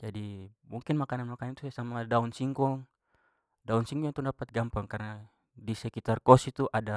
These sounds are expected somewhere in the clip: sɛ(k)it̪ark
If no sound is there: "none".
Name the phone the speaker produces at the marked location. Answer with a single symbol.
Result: k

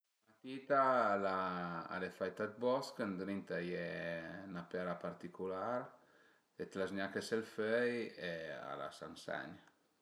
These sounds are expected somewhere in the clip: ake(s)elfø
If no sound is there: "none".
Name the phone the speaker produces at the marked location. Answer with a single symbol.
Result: s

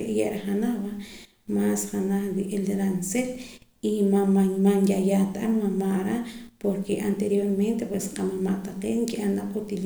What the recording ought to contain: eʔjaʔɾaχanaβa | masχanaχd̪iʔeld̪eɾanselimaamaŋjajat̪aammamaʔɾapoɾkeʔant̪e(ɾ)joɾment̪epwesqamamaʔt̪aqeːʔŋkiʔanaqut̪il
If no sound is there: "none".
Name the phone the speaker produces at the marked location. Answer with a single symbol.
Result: ɾ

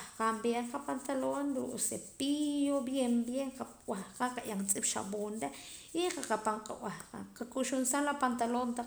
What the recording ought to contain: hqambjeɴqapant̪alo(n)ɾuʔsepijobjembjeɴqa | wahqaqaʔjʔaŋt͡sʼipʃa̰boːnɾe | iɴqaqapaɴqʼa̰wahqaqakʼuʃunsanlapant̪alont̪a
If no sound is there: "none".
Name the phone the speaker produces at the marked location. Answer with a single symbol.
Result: n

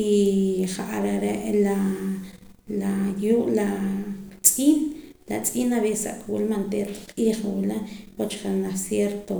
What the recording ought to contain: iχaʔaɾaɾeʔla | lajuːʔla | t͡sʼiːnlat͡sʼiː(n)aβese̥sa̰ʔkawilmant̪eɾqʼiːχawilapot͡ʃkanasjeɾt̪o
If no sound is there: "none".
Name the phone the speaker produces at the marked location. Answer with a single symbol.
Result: n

